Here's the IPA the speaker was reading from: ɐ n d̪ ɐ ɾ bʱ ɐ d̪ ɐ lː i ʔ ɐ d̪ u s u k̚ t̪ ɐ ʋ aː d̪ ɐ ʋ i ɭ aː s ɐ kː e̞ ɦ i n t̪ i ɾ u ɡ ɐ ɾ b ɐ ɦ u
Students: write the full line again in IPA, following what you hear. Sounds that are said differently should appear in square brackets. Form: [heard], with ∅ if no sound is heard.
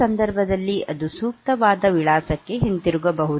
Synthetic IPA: ɐ n d̪ ɐ ɾ bʱ ɐ d̪ ɐ lː i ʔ ɐ d̪ u s [uː] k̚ t̪ ɐ ʋ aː d̪ ɐ ʋ i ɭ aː s ɐ kː e̞ ɦ i n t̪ i ɾ u ɡ ɐ [∅] b ɐ ɦ u